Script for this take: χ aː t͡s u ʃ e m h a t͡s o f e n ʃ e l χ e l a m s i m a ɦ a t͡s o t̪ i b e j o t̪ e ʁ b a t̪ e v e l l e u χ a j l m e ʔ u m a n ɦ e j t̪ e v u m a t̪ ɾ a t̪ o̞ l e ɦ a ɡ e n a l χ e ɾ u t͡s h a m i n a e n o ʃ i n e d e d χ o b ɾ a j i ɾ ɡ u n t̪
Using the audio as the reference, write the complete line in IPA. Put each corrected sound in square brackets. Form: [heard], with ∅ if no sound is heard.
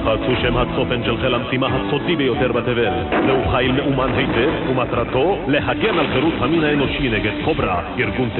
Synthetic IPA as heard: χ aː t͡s u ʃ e m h a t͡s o f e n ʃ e l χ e l a m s i m a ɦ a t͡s o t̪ i b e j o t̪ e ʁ b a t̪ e v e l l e u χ a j l m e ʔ u m a n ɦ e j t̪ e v u m a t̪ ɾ a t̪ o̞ l e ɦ a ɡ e n a l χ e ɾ u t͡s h a m i n a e n o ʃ i n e [ɡ] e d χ o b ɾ a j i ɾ ɡ u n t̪